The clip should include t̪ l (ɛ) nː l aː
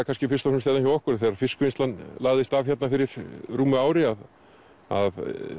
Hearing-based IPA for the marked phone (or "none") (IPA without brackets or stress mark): a